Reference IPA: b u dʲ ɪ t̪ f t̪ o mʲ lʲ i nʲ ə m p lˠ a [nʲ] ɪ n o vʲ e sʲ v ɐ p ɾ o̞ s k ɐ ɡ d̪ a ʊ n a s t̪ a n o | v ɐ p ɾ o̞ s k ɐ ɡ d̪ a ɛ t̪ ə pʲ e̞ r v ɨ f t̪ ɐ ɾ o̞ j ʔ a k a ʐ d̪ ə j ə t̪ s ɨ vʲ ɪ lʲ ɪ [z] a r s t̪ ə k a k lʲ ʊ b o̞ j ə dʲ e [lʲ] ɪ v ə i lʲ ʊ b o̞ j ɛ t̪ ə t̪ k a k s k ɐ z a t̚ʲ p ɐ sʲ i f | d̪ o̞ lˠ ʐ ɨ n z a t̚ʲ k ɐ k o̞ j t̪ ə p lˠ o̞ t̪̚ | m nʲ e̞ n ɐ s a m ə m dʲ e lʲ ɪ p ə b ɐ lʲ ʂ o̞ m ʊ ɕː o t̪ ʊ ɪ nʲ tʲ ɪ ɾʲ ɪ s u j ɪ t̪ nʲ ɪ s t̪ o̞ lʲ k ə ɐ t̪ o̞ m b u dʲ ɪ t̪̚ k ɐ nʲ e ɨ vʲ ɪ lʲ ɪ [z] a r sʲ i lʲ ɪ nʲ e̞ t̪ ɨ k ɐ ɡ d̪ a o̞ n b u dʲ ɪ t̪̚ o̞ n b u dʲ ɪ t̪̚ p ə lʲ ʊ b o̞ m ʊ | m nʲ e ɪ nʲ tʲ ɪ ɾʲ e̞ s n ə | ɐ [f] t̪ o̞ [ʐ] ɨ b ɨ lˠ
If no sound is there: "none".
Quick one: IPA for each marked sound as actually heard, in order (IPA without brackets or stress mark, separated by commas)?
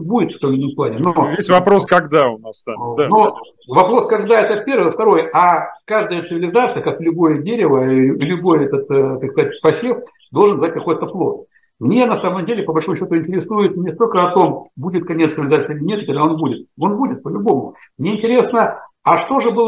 nʲ, z, ɾʲ, z, ʂ, ʐ